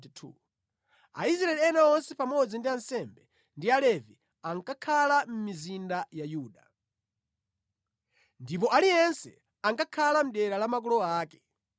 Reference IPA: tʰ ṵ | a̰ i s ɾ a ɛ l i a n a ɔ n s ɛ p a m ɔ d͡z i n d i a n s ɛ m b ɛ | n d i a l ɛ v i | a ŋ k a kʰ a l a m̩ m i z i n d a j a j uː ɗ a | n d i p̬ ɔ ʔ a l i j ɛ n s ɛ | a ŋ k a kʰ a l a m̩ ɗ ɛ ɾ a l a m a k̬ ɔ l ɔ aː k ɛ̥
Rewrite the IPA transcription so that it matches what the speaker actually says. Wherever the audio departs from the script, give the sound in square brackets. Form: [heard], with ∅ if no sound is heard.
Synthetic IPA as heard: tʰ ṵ | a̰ i s ɾ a ɛ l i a n a ɔ n s ɛ p a m ɔ d͡z i n d i a n s ɛ m b ɛ | n d i a l ɛ v i | a ŋ k a kʰ a l a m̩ m i z i n d a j a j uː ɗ a | n d i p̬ ɔ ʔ a l i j ɛ n s ɛ | a ŋ k a kʰ a l a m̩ ɗ ɛ ɾ a l a m a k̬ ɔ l ɔ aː k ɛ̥